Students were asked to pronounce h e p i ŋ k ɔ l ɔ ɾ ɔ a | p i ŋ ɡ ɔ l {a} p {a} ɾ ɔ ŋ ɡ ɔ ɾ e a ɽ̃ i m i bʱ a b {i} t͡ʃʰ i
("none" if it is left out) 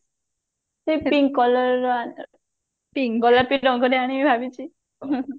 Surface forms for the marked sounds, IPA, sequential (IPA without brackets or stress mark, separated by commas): a, i, i